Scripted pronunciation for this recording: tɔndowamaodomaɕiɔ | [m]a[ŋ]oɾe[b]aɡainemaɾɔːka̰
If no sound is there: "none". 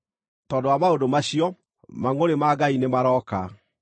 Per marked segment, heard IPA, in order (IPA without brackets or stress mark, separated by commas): m, ŋ, m